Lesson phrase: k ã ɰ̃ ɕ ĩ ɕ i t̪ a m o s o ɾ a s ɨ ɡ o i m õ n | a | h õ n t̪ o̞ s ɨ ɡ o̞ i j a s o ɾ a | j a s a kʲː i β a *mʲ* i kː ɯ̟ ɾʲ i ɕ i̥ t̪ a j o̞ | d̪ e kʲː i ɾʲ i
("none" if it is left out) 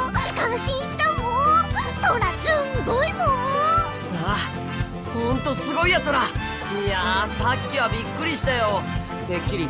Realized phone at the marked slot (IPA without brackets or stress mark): bʲ